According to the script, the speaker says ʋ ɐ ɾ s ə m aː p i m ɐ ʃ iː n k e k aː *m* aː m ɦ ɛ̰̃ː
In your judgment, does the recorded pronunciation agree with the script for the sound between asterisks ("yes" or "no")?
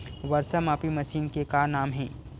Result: no